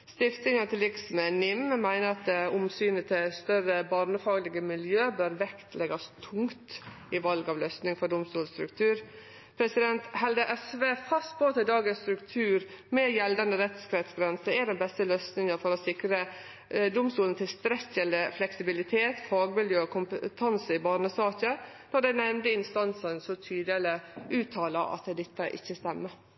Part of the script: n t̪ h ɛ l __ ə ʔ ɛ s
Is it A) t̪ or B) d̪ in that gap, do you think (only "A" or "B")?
B